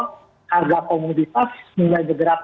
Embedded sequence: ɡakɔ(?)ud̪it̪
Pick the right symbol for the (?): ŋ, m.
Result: m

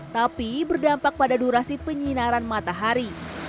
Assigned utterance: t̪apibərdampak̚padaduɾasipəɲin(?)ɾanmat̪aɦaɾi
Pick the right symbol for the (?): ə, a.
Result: a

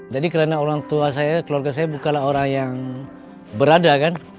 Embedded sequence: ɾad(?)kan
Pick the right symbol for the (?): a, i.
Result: a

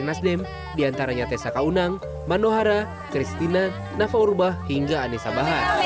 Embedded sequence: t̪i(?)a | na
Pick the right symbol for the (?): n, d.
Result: n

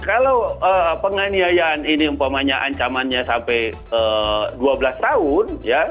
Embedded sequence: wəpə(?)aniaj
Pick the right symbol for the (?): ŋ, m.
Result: ŋ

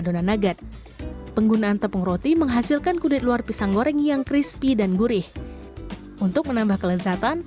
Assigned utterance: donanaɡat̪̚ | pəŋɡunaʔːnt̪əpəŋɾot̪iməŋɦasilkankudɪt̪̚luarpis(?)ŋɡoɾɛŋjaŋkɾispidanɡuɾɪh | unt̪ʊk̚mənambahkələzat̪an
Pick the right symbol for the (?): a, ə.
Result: a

